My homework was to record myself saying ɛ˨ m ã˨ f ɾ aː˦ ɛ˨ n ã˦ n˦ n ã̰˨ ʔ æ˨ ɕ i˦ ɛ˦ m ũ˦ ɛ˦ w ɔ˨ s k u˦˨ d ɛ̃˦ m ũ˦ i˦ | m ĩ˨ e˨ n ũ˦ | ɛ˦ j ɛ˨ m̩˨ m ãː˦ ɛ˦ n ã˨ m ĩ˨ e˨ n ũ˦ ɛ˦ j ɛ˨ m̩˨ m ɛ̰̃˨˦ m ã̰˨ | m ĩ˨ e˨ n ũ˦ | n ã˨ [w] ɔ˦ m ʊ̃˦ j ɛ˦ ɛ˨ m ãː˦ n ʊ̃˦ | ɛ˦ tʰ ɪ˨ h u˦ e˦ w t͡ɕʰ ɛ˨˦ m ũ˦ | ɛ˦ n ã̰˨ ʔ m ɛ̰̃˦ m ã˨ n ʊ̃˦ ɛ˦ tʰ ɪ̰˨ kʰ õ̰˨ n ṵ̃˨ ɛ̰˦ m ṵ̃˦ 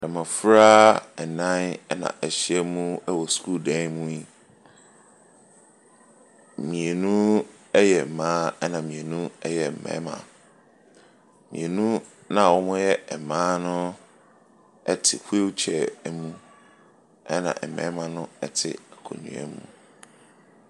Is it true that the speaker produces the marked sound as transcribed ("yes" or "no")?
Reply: yes